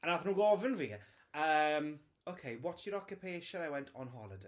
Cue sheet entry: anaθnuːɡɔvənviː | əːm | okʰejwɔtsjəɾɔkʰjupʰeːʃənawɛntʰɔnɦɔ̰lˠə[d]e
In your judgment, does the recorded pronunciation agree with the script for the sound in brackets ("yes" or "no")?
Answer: yes